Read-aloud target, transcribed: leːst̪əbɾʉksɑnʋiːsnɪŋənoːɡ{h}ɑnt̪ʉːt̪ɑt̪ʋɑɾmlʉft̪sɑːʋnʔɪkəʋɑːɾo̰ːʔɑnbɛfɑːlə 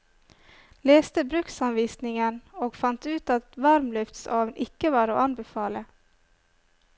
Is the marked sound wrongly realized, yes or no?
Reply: yes